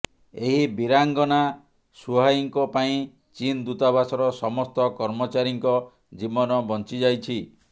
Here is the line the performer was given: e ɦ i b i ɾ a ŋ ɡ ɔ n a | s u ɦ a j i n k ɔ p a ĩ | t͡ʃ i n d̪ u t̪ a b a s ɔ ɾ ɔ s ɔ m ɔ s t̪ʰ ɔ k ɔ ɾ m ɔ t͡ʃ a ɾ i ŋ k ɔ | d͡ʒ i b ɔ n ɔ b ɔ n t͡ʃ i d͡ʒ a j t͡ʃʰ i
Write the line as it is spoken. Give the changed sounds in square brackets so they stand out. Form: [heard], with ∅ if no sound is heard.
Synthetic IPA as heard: e ɦ i b i ɾ a ŋ ɡ ɔ n a | s u ɦ a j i [ŋ] k ɔ p a ĩ | t͡ʃ i n d̪ u t̪ a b a s ɔ ɾ ɔ s ɔ m ɔ s [t̪] ɔ k ɔ ɾ m ɔ t͡ʃ a ɾ i ŋ k ɔ | d͡ʒ i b ɔ n ɔ b ɔ n t͡ʃ i d͡ʒ a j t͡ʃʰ i